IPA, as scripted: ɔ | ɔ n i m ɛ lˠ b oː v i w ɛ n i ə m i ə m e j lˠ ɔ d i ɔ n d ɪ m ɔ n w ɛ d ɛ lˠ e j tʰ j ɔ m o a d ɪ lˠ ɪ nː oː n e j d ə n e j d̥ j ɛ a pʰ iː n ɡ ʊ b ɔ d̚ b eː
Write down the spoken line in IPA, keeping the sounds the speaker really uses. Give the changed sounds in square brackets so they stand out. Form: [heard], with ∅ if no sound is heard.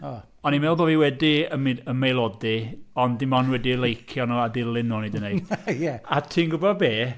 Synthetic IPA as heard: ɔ | ɔ n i m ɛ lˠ b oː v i w ɛ [d] i ə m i ə m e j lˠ ɔ d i ɔ n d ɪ m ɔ n w ɛ d [i] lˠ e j [kʰ] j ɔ [n] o a d ɪ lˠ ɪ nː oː n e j d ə n e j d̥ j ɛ a [tʰ] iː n ɡ ʊ b ɔ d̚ b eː